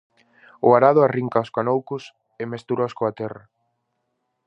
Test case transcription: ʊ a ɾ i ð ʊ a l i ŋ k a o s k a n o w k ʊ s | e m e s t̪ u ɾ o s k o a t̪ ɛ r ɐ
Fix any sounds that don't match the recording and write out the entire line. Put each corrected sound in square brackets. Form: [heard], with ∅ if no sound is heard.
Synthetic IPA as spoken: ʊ a ɾ [a] ð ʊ a [r] i ŋ k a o s k a n o w k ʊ s | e m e s t̪ u ɾ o s k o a t̪ ɛ r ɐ